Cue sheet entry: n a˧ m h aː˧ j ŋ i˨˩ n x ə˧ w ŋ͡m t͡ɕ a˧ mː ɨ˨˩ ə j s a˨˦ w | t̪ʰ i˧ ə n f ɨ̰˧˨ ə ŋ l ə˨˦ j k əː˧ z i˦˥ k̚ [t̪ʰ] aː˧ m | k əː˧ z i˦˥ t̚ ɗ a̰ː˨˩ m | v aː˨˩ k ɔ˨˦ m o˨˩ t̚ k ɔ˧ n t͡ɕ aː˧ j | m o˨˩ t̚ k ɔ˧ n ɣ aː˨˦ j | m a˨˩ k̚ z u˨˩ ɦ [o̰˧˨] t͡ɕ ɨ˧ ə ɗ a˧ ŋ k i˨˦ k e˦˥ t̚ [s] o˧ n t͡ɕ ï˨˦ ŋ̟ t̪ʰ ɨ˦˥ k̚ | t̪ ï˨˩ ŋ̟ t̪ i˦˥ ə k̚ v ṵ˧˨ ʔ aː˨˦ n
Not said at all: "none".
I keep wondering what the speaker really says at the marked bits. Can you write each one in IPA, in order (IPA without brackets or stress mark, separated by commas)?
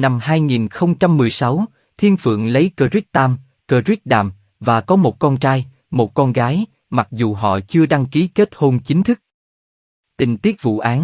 t̪, ɔ̰˧˨, h